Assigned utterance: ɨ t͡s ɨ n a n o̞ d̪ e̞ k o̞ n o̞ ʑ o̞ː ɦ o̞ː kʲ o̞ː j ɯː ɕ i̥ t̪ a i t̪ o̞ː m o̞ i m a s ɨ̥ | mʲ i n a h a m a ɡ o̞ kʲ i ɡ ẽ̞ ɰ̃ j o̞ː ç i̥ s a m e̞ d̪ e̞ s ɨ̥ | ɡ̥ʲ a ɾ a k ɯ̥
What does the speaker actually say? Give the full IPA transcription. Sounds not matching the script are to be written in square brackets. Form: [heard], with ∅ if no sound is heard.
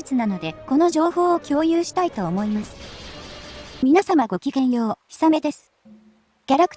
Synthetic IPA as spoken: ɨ t͡s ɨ n a n o̞ d̪ e̞ k o̞ n o̞ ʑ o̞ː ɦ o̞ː kʲ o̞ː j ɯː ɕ i̥ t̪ a i t̪ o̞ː m o̞ i m a s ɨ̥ | mʲ i n a [s] a m a ɡ o̞ kʲ i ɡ ẽ̞ ɰ̃ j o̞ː ç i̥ s a m e̞ d̪ e̞ s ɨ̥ | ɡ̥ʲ a ɾ a k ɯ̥